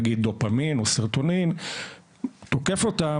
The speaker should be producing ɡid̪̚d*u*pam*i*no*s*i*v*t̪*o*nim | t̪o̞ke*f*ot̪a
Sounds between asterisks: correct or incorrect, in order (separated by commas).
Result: incorrect, correct, correct, incorrect, correct, correct